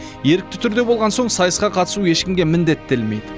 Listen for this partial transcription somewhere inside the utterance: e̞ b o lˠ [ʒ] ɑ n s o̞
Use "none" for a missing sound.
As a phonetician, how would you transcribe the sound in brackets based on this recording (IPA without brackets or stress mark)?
ʁ